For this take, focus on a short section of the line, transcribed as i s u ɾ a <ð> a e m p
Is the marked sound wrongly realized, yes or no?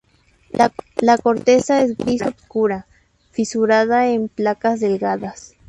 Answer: no